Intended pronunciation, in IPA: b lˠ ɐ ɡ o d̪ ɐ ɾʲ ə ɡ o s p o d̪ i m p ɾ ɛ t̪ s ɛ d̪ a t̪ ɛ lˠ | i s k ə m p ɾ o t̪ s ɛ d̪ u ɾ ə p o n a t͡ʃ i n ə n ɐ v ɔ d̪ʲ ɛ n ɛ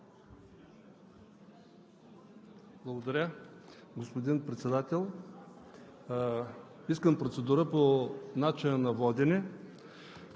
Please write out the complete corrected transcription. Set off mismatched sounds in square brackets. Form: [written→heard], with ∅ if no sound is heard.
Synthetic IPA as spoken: b lˠ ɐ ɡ o d̪ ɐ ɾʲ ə ɡ o s p o d̪ i [m→n] p ɾ ɛ t̪ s ɛ d̪ a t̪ ɛ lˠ | i s k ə m p ɾ o t̪ s ɛ d̪ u ɾ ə p o n a t͡ʃ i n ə n ɐ v ɔ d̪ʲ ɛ n ɛ